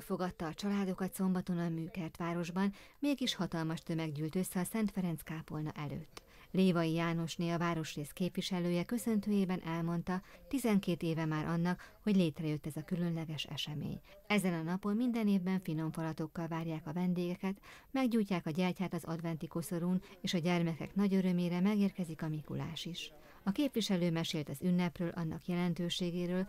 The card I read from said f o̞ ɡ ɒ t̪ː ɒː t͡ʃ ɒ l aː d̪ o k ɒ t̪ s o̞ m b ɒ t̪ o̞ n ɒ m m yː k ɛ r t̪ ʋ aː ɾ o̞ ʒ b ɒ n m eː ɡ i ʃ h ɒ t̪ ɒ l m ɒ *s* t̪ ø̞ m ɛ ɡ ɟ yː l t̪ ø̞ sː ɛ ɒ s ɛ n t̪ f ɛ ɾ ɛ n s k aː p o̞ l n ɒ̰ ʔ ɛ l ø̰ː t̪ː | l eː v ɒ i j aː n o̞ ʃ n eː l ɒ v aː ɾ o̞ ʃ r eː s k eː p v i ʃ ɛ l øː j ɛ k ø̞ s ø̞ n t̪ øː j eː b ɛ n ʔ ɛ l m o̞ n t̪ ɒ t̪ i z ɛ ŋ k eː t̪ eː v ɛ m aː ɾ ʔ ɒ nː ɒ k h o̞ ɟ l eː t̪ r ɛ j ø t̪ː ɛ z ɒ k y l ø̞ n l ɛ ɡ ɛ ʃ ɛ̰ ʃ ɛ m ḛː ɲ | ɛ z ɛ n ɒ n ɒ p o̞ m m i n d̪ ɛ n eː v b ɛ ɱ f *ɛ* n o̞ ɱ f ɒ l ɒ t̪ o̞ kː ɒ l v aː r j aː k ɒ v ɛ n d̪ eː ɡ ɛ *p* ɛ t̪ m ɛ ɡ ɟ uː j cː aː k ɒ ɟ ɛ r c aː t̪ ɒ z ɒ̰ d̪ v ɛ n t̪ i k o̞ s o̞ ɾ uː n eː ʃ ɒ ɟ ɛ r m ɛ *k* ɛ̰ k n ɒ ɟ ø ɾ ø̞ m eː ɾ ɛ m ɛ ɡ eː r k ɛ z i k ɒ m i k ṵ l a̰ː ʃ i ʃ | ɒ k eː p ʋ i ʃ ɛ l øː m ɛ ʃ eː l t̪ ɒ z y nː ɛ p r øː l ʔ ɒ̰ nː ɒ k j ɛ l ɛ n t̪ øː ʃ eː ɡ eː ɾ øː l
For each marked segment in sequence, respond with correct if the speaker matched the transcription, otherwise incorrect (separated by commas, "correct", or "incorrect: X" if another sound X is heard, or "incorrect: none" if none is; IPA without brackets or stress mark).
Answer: incorrect: ʃ, incorrect: i, incorrect: k, correct